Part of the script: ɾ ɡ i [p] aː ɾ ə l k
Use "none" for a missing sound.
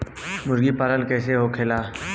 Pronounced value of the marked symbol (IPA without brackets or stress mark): p